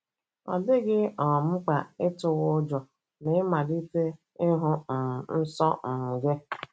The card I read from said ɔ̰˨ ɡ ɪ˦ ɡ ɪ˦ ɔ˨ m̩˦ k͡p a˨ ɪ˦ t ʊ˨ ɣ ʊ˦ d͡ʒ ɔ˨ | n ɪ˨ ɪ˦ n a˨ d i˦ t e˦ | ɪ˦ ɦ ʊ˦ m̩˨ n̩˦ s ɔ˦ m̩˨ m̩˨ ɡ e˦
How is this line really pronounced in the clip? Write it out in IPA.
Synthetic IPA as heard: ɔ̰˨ d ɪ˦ ɡ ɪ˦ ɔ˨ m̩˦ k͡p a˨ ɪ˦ t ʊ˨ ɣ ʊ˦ d͡ʒ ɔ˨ | n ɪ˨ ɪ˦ m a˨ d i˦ t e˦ | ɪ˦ ɦ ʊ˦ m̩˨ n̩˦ s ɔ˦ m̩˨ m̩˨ ɡ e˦